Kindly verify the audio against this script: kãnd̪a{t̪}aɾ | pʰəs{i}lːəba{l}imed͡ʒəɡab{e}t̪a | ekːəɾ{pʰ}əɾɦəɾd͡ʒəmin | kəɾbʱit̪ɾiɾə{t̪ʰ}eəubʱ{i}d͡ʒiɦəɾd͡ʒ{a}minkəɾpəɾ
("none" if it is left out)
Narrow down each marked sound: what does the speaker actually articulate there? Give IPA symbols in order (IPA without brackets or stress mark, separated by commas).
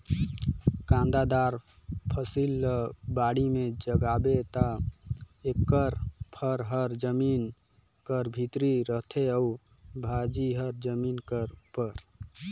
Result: d̪, i, ɽ, e, pʰ, t̪ʰ, a, ə